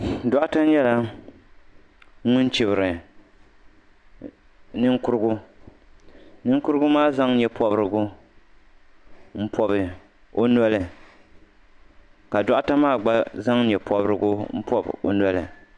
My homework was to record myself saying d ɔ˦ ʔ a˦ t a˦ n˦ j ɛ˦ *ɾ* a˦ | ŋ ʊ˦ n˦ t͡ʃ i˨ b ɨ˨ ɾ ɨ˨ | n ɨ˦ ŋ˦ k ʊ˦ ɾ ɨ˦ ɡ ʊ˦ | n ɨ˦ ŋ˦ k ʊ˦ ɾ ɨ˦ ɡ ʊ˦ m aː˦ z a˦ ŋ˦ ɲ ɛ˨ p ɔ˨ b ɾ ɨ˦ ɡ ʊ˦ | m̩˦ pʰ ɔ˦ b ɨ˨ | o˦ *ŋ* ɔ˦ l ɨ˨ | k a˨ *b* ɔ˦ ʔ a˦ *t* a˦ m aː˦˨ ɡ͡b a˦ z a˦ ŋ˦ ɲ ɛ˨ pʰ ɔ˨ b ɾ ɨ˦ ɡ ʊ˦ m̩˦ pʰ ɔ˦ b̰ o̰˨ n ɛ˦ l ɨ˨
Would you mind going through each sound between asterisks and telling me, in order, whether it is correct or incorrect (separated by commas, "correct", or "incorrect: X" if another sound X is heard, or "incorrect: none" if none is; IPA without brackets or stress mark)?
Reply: incorrect: l, incorrect: n, incorrect: d, correct